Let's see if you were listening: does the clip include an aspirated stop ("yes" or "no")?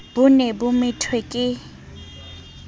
yes